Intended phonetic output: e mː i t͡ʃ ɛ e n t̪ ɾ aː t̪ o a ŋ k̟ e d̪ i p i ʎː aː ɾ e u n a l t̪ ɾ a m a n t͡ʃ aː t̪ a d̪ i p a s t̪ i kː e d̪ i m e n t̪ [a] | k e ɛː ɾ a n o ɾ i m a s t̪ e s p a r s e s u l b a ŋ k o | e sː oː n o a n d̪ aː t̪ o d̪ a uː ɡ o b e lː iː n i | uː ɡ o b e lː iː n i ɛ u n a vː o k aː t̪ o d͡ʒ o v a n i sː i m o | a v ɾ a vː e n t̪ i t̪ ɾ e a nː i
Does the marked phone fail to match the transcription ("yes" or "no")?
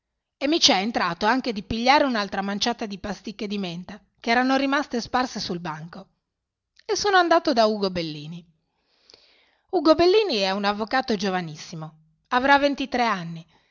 no